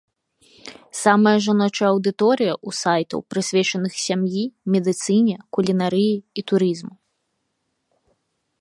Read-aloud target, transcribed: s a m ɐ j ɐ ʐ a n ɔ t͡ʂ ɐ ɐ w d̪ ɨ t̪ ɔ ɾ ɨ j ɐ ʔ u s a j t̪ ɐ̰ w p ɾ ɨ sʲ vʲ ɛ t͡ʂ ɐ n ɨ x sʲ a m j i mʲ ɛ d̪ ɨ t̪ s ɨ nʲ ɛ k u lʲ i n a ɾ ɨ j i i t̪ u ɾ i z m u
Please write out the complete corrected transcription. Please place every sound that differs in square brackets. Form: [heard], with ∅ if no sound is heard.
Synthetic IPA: s a m ɐ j ɐ ʐ a n ɔ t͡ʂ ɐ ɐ w d̪ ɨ t̪ ɔ ɾ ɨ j ɐ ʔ u s a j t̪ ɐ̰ w p ɾ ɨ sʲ vʲ ɛ t͡ʂ ɐ n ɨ x sʲ a m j i mʲ ɛ d̪ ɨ t̪ s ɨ nʲ ɛ k u lʲ i n a ɾ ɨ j i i t̪ u ɾ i z m u

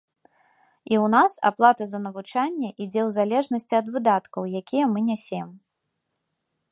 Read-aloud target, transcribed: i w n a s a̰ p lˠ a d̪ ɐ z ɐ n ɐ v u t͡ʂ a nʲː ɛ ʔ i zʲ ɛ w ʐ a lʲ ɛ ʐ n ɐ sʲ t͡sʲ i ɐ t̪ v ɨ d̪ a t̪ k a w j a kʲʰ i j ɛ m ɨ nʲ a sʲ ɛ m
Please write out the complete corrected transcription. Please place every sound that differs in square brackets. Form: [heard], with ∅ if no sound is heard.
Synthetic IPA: i w n a s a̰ p lˠ a [t̪] ɐ z ɐ n ɐ v u t͡ʂ a nʲː ɛ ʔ i [d͡zʲ] ɛ w [z] a lʲ ɛ ʐ n ɐ sʲ t͡sʲ i ɐ [d̪] v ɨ d̪ a t̪ k [ɐ] w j a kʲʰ i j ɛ m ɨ nʲ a sʲ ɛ m

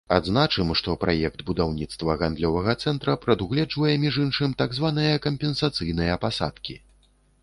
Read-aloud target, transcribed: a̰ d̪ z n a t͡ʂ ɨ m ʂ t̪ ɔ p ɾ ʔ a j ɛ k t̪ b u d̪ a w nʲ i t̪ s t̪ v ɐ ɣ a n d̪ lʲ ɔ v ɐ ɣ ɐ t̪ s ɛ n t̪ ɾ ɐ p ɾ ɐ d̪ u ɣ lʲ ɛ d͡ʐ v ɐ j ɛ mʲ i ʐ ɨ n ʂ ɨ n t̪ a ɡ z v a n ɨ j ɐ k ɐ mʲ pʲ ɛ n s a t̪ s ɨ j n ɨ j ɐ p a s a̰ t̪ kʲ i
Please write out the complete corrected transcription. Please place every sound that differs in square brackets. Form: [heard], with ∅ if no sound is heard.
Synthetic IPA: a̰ d̪ z n a t͡ʂ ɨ m ʂ t̪ ɔ p ɾ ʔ a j ɛ k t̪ b u d̪ a w nʲ i t̪ s t̪ v ɐ ɣ a n d̪ lʲ ɔ v ɐ ɣ ɐ t̪ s ɛ n t̪ ɾ ɐ p ɾ ɐ d̪ u ɣ lʲ ɛ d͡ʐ v ɐ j ɛ mʲ i ʐ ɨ n ʂ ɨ [m] t̪ a ɡ z v a n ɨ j ɐ k ɐ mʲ pʲ ɛ n s a t̪ s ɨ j n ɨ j ɐ p a s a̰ t̪ kʲ i

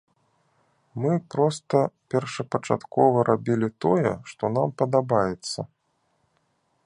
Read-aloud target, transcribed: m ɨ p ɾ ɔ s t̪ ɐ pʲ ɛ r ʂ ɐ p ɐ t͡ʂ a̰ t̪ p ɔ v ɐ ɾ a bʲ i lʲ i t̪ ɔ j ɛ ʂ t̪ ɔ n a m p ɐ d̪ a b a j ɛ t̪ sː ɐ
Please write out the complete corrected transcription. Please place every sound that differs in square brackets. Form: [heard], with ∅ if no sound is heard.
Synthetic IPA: m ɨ p ɾ ɔ s t̪ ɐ pʲ ɛ r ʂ ɐ p ɐ t͡ʂ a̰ t̪ [k] ɔ v ɐ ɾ a bʲ i lʲ i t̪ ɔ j ɛ ʂ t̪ ɔ n a m p ɐ d̪ a b a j ɛ t̪ sː ɐ

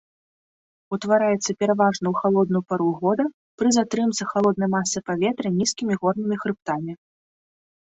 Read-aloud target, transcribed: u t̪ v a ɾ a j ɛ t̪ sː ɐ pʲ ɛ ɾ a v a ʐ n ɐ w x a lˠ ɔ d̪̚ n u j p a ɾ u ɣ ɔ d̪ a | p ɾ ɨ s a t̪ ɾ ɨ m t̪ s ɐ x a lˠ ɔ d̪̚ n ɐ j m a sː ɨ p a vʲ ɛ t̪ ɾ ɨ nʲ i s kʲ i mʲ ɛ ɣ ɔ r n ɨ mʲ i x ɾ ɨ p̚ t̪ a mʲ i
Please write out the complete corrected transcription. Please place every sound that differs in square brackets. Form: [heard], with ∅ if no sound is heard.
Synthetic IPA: u t̪ v a ɾ a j ɛ t̪ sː ɐ pʲ ɛ ɾ a v a ʐ n ɐ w x a lˠ ɔ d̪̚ n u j p a ɾ u ɣ ɔ d̪ [ɐ] | p ɾ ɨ [z] a t̪ ɾ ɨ m t̪ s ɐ x a lˠ ɔ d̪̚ n ɐ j m a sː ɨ p a vʲ ɛ t̪ ɾ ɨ nʲ i s kʲ i mʲ [i] ɣ ɔ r n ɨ mʲ i x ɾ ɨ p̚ t̪ a mʲ i

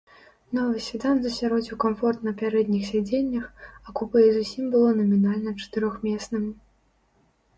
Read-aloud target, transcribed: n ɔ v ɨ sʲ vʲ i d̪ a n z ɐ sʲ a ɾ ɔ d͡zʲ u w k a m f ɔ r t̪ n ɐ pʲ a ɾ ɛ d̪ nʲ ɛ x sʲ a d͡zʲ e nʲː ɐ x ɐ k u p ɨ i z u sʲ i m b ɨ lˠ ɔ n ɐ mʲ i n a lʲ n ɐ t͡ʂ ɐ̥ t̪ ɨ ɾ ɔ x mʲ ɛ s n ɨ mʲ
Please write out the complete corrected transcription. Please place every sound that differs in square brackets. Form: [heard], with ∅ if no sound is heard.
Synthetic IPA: n ɔ v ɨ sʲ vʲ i d̪ a n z ɐ sʲ a ɾ ɔ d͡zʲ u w k a m f ɔ r t̪ n ɐ pʲ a ɾ ɛ d̪ nʲ [i] x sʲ a d͡zʲ e nʲː ɐ x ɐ k u p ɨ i z u sʲ i m b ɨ lˠ ɔ n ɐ mʲ i n a lʲ n ɐ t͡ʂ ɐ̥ t̪ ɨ ɾ ɔ x mʲ ɛ s n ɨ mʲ

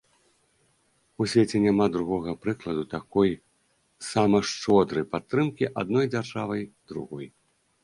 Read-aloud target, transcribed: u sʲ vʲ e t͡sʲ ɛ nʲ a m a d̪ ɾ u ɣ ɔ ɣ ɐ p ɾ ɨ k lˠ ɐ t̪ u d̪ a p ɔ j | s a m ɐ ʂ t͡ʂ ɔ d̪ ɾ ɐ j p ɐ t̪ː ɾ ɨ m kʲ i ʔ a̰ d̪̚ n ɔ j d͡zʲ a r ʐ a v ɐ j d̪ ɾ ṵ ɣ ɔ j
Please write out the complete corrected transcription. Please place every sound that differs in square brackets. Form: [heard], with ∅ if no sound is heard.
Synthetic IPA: u sʲ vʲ e t͡sʲ ɛ nʲ a m a d̪ ɾ u ɣ ɔ ɣ ɐ p ɾ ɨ k lˠ ɐ [d̪] u [t̪] a [k] ɔ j | s a m ɐ ʂ t͡ʂ ɔ d̪ ɾ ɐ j p [a] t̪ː ɾ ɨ m kʲ i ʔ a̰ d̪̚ n ɔ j d͡zʲ a r ʐ a v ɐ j d̪ ɾ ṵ ɣ ɔ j

